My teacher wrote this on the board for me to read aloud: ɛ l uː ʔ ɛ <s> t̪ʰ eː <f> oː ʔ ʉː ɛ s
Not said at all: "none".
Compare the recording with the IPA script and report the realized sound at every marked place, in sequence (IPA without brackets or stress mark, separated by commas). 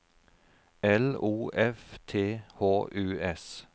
f, h